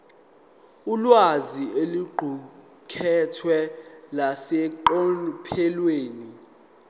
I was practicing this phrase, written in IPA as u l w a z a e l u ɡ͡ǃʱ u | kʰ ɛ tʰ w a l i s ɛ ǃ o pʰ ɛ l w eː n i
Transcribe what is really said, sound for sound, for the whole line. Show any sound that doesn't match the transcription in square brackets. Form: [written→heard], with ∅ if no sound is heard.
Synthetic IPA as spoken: u l w a z [a→i] e l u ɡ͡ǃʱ u | kʰ ɛ tʰ w [a→ɛ] l [i→a] s ɛ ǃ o pʰ ɛ l w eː n i